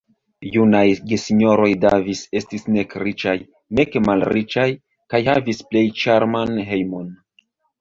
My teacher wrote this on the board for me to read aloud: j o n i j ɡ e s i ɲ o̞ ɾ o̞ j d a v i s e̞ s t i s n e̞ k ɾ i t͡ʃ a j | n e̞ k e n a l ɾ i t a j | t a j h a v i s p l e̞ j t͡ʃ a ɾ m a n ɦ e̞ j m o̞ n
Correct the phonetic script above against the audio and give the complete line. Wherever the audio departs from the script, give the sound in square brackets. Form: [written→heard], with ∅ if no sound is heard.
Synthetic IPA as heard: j [o→u] n [i→a] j ɡ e s i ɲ o̞ ɾ o̞ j d a v i s e̞ s t i s n e̞ k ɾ i t͡ʃ a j | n e̞ k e [n→m] a l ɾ i [t→t͡ʃ] a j | [t→k] a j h a v i s p l e̞ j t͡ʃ a ɾ m a n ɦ e̞ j m o̞ n